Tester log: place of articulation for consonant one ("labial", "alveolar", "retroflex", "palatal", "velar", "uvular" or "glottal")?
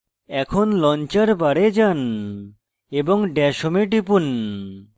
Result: velar